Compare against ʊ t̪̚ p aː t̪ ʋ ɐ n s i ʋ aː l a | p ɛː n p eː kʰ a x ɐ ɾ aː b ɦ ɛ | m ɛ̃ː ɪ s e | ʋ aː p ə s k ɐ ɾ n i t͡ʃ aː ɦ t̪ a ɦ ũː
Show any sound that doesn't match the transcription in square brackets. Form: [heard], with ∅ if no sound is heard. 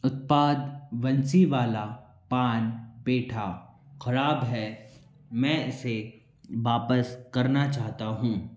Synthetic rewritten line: ʊ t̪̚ p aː [d̪] ʋ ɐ n s i ʋ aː l a | p [aː] n [b] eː [ʈʰ] a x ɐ ɾ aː b ɦ ɛ | m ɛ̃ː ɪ s e | ʋ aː p ə s k ɐ ɾ n [a] t͡ʃ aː ɦ t̪ a ɦ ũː

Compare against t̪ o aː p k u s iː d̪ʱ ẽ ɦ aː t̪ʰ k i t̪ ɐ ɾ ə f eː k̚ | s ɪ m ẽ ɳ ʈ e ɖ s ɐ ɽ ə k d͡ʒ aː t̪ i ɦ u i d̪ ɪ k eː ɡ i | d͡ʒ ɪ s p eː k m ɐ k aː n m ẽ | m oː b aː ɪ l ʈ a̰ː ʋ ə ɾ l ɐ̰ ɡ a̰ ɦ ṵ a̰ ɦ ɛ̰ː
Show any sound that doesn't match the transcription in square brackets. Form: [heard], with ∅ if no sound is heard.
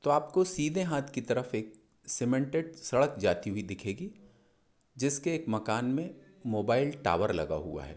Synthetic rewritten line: t̪ o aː p k [o] s iː d̪ʱ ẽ ɦ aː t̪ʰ k i t̪ ɐ ɾ ə f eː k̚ | s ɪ m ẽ ɳ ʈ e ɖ s ɐ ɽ ə k d͡ʒ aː t̪ i ɦ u i d̪ ɪ [kʰ] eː ɡ i | d͡ʒ ɪ s [k] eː k m ɐ k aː n m ẽ | m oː b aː ɪ l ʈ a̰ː ʋ ə ɾ l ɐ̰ ɡ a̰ ɦ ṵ a̰ ɦ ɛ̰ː

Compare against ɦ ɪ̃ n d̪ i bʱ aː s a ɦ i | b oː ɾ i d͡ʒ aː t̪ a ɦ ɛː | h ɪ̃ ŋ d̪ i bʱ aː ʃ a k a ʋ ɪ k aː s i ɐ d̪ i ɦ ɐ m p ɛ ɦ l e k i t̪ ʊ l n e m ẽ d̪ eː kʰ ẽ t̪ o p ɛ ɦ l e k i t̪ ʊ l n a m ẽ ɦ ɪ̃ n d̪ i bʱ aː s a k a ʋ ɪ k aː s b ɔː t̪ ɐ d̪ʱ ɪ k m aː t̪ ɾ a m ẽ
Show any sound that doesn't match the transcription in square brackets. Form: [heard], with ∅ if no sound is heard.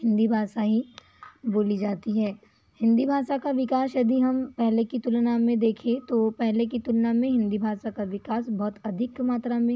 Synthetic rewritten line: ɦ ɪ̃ n d̪ i bʱ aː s a ɦ i | b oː [l] i d͡ʒ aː t̪ [i] ɦ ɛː | h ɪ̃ [n] d̪ i bʱ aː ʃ a k a ʋ ɪ k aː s [j] ɐ d̪ i ɦ ɐ m p ɛ ɦ l e k i t̪ ʊ l n [a] m ẽ d̪ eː kʰ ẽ t̪ o p ɛ ɦ l e k i t̪ ʊ l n a m ẽ ɦ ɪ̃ n d̪ i bʱ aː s a k a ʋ ɪ k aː s b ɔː t̪ ɐ d̪ʱ ɪ k m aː t̪ ɾ a m ẽ

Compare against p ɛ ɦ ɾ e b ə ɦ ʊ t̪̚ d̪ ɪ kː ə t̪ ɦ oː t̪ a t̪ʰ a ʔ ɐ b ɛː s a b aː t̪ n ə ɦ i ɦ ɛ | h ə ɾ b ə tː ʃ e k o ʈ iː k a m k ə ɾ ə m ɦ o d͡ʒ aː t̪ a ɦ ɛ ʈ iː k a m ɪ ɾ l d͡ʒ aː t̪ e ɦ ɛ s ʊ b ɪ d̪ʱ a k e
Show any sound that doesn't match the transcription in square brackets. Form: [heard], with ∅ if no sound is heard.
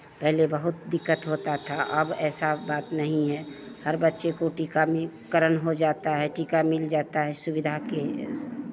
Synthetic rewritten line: p ɛ ɦ [l] e b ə ɦ ʊ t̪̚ d̪ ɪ kː ə t̪ ɦ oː t̪ a t̪ʰ a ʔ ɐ b ɛː s a b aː t̪ n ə ɦ [ĩ] ɦ ɛ | h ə ɾ b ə tː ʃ e k o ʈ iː k a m k ə ɾ ə [n] ɦ o d͡ʒ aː t̪ a ɦ ɛ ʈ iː k a m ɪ [∅] l d͡ʒ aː t̪ [a] ɦ ɛ s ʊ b ɪ d̪ʱ a k e

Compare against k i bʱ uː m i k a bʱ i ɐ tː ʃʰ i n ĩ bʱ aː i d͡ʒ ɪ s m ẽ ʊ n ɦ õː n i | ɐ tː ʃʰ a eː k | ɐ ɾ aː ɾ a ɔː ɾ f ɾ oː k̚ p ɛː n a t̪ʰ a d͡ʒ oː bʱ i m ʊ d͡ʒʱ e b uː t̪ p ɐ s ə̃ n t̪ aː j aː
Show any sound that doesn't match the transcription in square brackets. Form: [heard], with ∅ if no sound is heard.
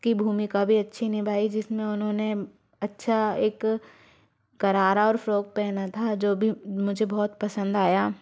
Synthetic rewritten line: k i bʱ uː m i k a bʱ i ɐ tː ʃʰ i n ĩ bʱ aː i d͡ʒ ɪ s m ẽ ʊ n ɦ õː n [e] | ɐ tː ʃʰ a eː k | ɐ ɾ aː ɾ a ɔː ɾ f ɾ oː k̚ p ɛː n a t̪ʰ a d͡ʒ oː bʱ i m ʊ d͡ʒʱ e b [ɔː] t̪ p ɐ s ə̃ n [d̪] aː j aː

